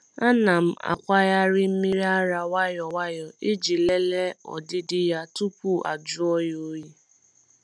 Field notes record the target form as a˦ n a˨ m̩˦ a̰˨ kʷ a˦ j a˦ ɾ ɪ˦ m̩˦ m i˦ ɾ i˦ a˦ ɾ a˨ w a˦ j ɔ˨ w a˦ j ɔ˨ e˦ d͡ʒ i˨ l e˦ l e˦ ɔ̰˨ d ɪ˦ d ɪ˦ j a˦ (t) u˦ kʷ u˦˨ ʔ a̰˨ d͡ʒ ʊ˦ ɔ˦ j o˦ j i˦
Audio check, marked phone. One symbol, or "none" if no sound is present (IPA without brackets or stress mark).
t